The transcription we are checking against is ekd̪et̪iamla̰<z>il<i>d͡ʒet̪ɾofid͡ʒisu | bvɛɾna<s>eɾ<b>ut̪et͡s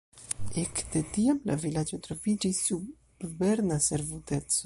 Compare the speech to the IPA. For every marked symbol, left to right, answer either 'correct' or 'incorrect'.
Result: incorrect: v, incorrect: a, correct, incorrect: v

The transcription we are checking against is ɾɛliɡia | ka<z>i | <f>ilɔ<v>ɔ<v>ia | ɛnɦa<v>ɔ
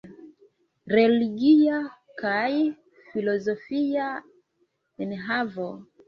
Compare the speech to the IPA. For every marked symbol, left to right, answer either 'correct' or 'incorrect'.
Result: incorrect: none, correct, incorrect: z, incorrect: f, correct

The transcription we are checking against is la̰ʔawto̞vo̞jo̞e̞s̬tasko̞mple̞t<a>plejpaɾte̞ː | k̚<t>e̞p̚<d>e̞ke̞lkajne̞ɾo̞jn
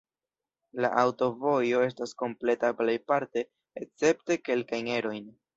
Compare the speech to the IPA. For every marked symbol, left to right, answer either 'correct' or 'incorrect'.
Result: correct, incorrect: t͡s, incorrect: t

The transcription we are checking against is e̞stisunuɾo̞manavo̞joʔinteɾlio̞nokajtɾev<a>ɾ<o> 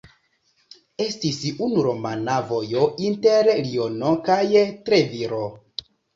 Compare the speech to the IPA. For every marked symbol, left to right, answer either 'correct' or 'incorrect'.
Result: incorrect: i, correct

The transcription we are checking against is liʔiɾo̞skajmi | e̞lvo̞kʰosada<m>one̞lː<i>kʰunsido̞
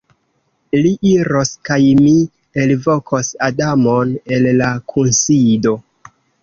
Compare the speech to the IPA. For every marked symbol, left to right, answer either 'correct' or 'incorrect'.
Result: correct, incorrect: a

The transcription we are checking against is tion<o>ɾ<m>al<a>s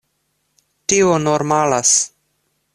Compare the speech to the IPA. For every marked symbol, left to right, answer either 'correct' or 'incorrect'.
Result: correct, correct, correct

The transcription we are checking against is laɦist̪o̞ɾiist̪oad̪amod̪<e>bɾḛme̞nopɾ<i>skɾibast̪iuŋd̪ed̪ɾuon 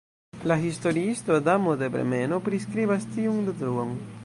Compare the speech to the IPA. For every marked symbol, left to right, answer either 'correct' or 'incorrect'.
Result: correct, correct

